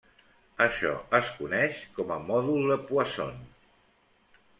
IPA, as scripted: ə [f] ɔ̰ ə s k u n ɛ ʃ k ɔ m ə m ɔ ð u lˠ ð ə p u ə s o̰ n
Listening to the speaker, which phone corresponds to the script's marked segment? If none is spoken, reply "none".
ʃ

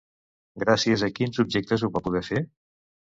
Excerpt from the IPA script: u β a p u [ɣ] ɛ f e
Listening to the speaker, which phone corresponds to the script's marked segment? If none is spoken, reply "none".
ð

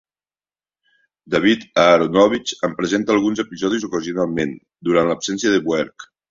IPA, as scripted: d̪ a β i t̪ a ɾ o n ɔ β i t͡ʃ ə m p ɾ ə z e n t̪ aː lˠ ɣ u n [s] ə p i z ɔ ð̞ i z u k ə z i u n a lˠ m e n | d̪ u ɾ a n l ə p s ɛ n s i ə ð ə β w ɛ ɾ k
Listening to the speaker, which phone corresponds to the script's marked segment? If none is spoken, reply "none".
z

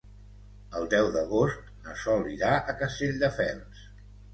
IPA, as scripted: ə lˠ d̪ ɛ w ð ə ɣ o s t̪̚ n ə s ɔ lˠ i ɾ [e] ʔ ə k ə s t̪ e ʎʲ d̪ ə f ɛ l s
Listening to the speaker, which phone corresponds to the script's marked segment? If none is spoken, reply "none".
a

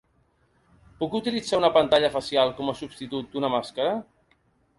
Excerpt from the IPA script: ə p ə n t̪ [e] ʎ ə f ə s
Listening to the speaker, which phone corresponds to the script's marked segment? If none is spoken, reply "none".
a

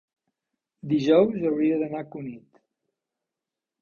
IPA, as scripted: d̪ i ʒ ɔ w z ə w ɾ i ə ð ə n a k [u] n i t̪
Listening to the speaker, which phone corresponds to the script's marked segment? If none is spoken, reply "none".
u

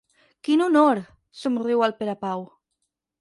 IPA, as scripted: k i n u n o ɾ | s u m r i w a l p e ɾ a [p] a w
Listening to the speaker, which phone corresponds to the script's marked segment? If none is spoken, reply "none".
p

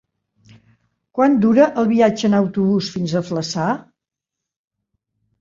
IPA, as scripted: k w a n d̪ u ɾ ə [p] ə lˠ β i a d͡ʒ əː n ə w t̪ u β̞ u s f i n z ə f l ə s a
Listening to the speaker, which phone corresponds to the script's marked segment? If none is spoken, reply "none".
ʔ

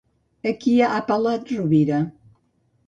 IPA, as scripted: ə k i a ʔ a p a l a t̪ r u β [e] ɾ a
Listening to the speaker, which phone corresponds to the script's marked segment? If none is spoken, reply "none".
i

